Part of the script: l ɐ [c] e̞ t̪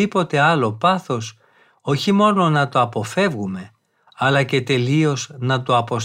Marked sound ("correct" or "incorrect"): correct